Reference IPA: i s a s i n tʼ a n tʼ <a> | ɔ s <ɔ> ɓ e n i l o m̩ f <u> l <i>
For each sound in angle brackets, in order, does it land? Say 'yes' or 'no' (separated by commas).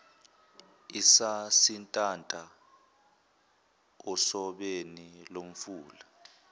yes, yes, no, no